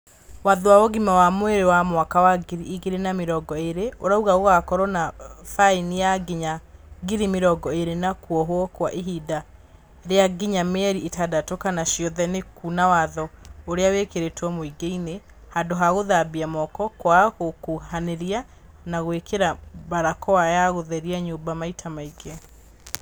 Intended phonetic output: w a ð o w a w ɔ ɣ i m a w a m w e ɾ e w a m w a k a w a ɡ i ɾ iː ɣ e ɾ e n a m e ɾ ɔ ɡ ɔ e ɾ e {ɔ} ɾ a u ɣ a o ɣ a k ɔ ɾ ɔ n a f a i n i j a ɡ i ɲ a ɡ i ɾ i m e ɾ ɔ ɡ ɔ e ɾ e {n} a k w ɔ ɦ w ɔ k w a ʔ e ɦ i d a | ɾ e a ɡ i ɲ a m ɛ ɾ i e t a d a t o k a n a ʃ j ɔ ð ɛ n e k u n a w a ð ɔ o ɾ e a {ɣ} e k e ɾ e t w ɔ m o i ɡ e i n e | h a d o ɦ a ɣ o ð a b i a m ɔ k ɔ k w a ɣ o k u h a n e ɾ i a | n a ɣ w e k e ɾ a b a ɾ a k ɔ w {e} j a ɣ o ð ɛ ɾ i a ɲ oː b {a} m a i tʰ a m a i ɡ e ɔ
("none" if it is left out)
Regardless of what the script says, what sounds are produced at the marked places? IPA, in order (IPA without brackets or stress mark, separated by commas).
o, n, w, a, a